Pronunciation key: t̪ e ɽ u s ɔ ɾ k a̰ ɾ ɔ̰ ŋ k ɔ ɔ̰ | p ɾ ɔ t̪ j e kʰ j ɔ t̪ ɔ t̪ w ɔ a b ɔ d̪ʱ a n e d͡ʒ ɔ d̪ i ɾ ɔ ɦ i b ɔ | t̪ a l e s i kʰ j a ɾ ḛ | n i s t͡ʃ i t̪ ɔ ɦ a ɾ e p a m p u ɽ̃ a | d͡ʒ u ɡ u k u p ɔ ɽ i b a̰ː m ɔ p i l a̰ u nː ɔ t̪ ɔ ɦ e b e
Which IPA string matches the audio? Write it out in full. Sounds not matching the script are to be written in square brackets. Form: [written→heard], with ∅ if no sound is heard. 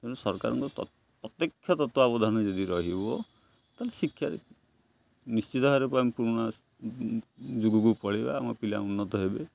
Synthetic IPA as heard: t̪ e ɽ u s ɔ ɾ k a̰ ɾ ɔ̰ ŋ k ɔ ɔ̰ | p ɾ ɔ t̪ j e kʰ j ɔ t̪ ɔ t̪ w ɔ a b ɔ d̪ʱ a n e d͡ʒ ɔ d̪ i ɾ ɔ ɦ i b ɔ | t̪ a l e s i kʰ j a ɾ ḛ | n i s t͡ʃ i t̪ ɔ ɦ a ɾ e p a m p u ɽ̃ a | d͡ʒ u ɡ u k u p ɔ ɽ i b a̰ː m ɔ p i l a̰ u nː ɔ t̪ ɔ ɦ e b e